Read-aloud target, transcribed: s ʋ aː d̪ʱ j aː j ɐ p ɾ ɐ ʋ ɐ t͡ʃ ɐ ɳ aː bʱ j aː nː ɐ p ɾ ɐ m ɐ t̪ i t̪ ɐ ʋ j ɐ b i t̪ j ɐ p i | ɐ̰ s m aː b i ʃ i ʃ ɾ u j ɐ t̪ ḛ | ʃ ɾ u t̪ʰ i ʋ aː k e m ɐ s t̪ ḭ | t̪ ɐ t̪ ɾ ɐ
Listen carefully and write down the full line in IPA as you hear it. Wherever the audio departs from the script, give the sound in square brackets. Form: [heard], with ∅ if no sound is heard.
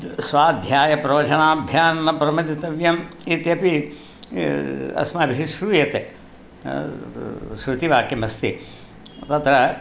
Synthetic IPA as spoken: s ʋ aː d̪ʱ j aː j ɐ p ɾ ɐ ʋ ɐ t͡ʃ ɐ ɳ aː bʱ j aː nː ɐ p ɾ ɐ m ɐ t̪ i t̪ ɐ ʋ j ɐ [m] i t̪ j ɐ p i | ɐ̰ s m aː b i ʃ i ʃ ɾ u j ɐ t̪ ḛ | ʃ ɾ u [t̪] i ʋ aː k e m ɐ s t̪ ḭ | t̪ ɐ t̪ ɾ ɐ